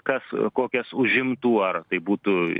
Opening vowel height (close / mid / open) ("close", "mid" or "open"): open